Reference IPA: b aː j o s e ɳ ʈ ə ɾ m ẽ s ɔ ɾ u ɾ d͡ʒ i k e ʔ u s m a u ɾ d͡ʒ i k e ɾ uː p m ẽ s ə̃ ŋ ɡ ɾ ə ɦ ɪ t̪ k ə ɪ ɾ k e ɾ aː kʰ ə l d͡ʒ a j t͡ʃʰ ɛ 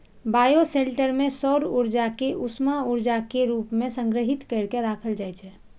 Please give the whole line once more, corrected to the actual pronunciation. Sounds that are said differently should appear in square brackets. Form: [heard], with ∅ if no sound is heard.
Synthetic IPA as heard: b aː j o s e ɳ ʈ ə ɾ m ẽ s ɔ ɾ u ɾ d͡ʒ [a] k e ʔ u s m a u ɾ d͡ʒ [a] k e ɾ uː p m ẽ s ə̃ ŋ ɡ ɾ ə ɦ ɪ t̪ k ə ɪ ɾ k e ɾ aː kʰ ə l d͡ʒ a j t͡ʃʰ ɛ